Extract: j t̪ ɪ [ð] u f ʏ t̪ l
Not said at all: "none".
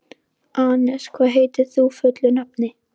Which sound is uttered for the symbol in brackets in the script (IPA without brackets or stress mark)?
θ